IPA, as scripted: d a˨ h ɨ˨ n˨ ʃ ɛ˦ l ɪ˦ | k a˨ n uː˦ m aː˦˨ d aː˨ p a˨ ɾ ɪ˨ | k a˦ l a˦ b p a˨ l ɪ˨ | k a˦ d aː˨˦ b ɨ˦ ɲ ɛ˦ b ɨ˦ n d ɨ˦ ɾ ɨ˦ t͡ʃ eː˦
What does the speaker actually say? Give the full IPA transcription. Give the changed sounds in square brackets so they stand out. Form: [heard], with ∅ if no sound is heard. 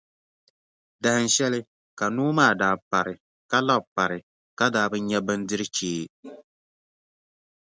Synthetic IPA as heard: d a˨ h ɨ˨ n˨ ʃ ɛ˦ l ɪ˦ | k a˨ n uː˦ m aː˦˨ d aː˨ p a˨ ɾ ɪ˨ | k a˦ l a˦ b p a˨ [ɾ] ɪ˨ | k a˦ d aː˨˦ b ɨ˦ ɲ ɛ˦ b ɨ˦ n d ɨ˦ ɾ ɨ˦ t͡ʃ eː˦